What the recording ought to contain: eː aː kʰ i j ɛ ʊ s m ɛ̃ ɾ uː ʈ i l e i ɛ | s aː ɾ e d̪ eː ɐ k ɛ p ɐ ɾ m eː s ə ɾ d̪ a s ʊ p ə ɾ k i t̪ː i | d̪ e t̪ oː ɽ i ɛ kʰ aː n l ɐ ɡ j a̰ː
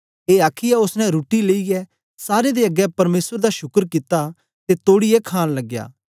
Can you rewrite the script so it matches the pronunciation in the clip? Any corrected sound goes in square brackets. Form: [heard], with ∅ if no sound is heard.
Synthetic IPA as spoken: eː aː kʰ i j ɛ ʊ s [n] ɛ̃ ɾ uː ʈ i l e i ɛ | s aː ɾ e d̪ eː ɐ [ɡ] ɛ p ɐ ɾ m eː s ə ɾ d̪ a [ʃ] ʊ [k] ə ɾ k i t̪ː [a] | [t̪] e t̪ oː ɽ i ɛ kʰ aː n l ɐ ɡ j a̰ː